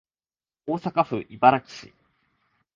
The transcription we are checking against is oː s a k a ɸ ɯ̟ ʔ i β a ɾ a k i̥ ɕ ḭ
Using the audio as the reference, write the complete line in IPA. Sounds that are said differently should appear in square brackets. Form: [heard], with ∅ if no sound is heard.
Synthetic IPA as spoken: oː s a k a ɸ ɯ̟ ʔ i [b] a ɾ a k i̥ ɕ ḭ